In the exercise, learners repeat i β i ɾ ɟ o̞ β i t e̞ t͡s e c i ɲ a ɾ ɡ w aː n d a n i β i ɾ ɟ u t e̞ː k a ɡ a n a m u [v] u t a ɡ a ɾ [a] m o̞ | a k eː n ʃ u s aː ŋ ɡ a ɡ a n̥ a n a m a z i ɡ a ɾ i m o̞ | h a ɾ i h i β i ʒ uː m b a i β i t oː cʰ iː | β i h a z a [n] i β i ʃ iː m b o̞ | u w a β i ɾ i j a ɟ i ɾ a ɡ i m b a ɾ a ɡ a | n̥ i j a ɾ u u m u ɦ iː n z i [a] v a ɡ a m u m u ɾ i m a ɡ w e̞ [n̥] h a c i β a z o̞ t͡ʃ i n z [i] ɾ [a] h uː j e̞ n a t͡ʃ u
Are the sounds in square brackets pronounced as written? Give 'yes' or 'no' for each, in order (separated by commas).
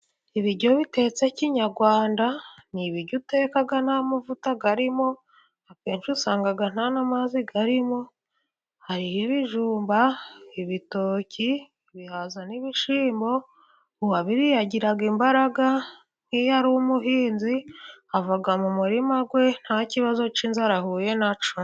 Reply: yes, no, yes, yes, yes, no, yes